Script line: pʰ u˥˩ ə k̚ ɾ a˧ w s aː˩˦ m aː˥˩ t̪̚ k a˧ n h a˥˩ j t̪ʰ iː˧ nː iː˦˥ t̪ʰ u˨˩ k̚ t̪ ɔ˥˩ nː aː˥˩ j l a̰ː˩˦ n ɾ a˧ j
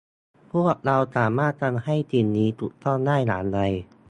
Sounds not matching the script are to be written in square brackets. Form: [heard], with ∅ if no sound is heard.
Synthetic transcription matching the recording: pʰ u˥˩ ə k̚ ɾ a˧ w s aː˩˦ m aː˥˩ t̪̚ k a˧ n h a˥˩ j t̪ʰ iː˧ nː iː˦˥ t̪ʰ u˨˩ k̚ t̪ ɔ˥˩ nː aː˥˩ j l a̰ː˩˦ n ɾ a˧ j